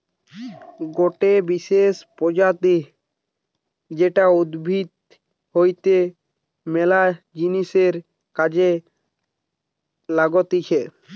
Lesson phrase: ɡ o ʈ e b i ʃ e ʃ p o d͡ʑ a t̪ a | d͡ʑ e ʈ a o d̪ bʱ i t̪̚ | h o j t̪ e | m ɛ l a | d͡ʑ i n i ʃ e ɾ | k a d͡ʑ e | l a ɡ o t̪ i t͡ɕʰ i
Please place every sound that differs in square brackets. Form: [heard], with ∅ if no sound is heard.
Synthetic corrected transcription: ɡ o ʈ e b i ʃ e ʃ p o d͡ʑ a t̪ [i] | d͡ʑ e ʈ a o d̪ bʱ i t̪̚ | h o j t̪ e | m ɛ l a | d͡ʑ i n i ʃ e ɾ | k a d͡ʑ e | l a ɡ o t̪ i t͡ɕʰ [e]